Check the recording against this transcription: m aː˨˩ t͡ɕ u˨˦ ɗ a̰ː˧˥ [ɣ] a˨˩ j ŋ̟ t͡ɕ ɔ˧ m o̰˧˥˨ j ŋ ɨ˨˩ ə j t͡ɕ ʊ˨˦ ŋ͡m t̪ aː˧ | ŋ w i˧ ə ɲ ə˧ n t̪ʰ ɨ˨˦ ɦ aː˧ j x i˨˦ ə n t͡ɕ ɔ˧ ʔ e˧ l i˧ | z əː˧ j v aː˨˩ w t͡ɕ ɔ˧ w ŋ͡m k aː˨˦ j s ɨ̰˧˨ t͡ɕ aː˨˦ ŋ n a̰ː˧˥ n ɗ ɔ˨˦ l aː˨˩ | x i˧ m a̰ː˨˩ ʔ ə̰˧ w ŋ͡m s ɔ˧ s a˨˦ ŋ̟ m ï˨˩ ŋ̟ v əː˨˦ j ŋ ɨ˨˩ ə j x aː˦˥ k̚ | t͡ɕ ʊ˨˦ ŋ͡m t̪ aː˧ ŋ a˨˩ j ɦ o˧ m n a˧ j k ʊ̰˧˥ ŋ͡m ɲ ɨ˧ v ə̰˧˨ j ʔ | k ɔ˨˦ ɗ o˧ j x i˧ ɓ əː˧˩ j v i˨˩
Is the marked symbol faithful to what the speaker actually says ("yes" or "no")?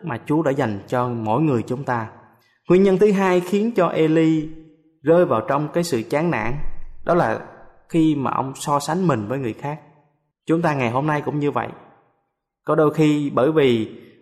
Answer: no